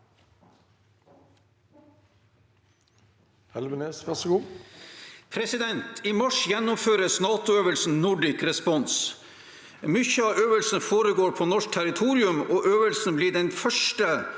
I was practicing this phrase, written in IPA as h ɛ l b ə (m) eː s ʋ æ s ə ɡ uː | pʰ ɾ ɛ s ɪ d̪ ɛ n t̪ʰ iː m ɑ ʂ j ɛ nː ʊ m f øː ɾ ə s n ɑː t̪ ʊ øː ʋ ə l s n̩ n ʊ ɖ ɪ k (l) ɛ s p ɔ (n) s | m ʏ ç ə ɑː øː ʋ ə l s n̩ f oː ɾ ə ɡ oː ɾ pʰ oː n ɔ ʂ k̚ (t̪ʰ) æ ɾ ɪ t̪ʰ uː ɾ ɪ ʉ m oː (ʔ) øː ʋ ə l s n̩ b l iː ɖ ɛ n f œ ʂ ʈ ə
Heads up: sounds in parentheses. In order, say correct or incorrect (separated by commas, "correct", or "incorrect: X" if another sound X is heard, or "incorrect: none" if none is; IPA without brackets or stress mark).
incorrect: n, incorrect: ɾ, correct, correct, correct